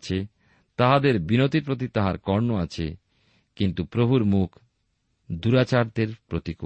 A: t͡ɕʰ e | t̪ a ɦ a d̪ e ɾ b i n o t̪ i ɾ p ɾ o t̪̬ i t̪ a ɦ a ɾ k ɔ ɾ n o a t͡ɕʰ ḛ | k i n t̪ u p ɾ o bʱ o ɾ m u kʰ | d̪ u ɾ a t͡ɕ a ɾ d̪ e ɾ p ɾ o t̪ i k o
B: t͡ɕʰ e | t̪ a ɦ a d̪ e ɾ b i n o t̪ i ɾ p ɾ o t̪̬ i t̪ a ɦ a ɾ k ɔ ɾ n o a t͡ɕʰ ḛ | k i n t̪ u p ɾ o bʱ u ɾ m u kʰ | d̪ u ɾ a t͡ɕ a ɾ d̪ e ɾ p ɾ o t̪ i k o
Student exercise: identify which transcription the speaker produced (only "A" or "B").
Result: B